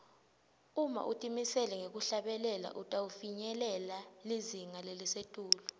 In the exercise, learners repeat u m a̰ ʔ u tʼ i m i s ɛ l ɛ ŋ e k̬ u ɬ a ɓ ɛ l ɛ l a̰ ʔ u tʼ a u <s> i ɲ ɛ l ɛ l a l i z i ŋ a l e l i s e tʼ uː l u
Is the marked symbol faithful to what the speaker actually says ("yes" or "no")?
no